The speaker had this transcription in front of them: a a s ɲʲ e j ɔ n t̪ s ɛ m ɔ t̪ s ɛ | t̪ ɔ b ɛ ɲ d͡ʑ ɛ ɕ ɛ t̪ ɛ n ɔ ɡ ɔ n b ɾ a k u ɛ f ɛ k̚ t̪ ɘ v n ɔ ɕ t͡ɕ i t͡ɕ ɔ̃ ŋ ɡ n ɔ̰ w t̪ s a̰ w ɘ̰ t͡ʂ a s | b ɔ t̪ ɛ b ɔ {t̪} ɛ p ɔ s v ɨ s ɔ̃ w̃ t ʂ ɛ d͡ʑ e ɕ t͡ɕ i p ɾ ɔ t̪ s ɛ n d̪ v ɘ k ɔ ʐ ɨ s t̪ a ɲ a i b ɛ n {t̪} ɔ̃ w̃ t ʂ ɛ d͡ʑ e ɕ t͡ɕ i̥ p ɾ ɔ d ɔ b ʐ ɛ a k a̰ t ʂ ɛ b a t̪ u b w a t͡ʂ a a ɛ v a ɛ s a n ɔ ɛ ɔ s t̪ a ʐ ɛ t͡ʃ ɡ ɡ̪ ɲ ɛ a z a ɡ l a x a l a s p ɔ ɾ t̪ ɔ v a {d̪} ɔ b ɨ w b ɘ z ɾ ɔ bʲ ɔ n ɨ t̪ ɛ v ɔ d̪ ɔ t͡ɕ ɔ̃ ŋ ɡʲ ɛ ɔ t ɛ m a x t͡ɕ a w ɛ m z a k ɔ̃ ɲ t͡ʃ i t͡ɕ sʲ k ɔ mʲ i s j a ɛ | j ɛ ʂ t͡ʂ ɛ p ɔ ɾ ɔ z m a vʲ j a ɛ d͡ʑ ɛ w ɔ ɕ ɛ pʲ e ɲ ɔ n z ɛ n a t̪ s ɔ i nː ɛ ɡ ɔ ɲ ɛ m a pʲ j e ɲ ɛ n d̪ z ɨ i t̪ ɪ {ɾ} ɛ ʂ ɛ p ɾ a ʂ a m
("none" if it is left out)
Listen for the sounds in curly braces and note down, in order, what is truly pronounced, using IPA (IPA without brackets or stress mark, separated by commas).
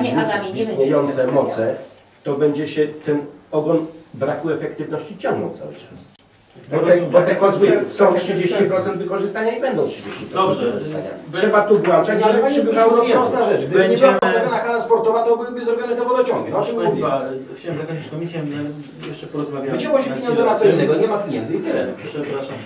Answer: t̪, d̪, t̪, l